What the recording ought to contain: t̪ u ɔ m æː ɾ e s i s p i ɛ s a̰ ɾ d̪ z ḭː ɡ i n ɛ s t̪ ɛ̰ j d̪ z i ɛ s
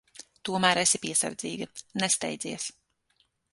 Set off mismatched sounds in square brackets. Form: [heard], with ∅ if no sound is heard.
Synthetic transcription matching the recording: t̪ u ɔ m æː ɾ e s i [∅] p i ɛ s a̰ ɾ d̪ z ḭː ɡ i n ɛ s t̪ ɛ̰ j d̪ z i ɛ s